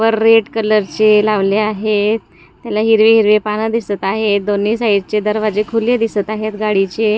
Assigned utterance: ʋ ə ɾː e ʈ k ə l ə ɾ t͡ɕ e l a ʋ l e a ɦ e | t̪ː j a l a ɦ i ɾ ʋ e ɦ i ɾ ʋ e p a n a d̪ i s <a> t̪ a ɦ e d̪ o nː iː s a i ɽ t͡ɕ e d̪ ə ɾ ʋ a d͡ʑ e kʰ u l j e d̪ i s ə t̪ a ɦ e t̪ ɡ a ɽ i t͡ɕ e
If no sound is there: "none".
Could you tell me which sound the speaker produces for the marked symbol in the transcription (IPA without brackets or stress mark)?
ə